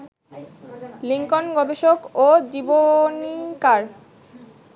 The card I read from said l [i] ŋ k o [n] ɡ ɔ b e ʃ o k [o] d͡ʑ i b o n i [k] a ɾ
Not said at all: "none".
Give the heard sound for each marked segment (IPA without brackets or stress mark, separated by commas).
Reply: i, n, o, k